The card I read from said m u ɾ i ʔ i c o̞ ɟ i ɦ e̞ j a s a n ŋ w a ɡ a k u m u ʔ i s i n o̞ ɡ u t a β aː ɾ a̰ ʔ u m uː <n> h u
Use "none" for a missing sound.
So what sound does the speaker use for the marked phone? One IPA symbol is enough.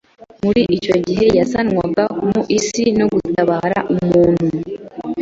n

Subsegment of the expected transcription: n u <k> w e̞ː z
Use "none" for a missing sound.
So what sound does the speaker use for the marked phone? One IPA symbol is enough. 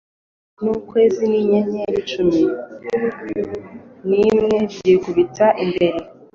k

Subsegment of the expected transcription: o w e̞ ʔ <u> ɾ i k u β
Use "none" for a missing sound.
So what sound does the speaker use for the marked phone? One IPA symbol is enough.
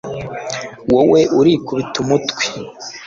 u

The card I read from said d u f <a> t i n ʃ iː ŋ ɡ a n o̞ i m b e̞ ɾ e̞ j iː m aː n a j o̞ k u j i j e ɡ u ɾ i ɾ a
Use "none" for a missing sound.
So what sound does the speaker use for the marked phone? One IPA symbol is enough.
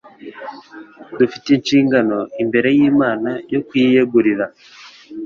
i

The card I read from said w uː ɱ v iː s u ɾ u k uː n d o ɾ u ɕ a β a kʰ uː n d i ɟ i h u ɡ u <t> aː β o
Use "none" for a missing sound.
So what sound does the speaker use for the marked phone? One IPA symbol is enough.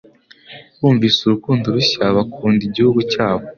c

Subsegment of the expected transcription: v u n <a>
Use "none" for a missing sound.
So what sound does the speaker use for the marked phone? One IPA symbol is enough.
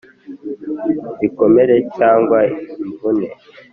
e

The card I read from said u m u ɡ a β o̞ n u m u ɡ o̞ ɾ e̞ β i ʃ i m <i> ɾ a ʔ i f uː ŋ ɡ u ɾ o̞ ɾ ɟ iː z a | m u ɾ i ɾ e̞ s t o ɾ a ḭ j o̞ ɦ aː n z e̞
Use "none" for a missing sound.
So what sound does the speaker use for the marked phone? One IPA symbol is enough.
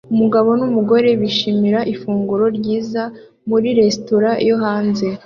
i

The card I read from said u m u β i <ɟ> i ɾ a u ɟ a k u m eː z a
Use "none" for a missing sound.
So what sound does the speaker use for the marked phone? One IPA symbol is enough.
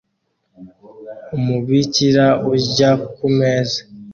c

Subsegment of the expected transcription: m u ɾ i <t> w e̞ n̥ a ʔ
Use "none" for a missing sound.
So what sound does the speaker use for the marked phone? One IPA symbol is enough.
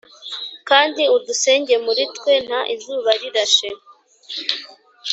t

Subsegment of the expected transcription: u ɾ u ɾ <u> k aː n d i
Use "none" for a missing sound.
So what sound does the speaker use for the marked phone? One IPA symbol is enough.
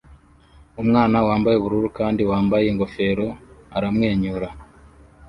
u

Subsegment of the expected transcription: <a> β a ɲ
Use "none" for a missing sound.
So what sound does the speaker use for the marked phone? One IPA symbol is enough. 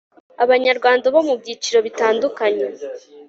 a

